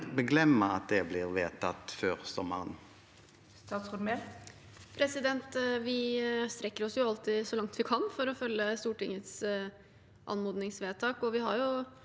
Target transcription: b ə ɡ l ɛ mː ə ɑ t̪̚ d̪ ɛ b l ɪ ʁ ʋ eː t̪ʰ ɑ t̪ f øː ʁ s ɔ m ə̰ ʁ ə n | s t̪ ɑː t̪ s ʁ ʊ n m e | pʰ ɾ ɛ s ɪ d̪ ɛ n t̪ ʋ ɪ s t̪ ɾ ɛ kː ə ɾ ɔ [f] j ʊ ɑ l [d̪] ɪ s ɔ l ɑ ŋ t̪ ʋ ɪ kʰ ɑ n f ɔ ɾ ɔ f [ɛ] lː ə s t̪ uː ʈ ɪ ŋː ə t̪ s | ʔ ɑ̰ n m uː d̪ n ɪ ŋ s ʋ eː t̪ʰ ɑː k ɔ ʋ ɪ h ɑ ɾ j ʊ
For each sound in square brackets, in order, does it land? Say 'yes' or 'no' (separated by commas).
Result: no, no, no